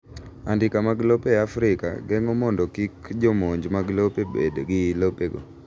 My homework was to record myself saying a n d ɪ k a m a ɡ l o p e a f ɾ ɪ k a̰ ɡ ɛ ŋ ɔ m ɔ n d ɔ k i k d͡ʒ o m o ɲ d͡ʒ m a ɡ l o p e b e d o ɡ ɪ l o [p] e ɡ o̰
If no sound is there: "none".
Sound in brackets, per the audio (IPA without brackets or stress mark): p